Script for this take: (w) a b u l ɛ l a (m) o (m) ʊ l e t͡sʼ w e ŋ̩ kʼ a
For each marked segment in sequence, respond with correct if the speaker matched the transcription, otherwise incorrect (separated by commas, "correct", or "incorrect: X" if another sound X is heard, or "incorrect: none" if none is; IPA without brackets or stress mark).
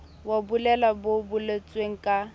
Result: correct, incorrect: b, incorrect: b